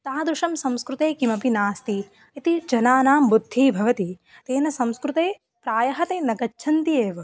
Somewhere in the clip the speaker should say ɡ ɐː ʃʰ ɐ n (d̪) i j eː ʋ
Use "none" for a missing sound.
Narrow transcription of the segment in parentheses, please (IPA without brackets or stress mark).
t̪